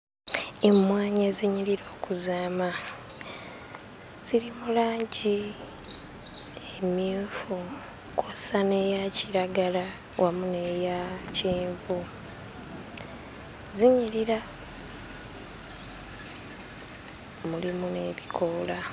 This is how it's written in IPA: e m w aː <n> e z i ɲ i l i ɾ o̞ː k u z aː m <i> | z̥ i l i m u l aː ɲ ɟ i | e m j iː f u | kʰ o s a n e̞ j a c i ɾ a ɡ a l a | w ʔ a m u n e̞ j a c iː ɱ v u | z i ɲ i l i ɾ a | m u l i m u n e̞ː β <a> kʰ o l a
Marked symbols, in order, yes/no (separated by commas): no, no, no